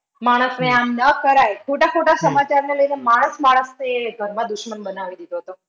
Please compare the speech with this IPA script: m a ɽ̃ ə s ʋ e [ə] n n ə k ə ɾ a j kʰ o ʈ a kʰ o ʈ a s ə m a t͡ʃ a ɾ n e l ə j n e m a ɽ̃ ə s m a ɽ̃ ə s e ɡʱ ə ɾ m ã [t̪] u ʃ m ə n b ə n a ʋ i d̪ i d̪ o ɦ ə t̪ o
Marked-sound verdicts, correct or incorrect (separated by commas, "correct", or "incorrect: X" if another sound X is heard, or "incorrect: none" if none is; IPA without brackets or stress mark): incorrect: a, incorrect: d̪